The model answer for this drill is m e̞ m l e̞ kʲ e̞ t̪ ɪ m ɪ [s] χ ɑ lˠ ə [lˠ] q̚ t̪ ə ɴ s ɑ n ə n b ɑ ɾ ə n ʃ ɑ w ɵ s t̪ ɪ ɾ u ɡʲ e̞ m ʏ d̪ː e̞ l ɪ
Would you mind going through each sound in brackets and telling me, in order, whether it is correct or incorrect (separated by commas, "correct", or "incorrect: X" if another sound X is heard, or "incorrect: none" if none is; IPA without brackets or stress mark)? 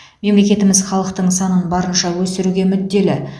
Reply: incorrect: z, incorrect: none